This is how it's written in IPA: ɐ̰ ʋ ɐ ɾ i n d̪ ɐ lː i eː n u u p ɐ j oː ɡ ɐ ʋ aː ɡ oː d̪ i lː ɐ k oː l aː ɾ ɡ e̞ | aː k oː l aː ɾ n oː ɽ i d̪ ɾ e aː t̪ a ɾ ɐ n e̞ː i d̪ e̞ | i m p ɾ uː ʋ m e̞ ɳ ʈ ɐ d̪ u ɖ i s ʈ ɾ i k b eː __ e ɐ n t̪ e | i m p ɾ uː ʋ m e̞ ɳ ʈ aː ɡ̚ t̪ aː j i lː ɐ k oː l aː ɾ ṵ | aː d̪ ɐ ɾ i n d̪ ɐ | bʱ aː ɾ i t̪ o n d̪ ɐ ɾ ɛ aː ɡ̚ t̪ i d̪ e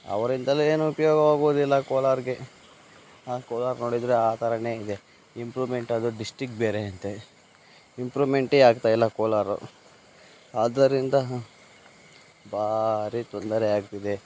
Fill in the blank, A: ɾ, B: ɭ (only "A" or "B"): A